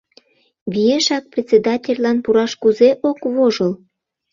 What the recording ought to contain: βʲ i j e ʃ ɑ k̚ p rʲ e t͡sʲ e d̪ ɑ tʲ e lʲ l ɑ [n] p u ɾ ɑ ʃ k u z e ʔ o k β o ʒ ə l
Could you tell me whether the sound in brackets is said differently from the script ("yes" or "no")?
no